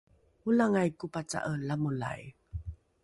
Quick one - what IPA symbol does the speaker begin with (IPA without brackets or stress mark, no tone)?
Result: u